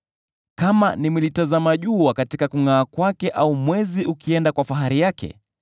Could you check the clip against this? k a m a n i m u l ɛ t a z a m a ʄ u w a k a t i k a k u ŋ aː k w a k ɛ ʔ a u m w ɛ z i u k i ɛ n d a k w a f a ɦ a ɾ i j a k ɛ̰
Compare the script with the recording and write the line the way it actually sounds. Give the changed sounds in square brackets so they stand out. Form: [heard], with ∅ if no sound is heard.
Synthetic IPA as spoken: k a m a n i m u l [i] t a z a m a ʄ u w a k a t i k a k u ŋ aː k w a k ɛ ʔ a u m w ɛ z i u k i ɛ n d a k w a f a ɦ a ɾ i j a k ɛ̰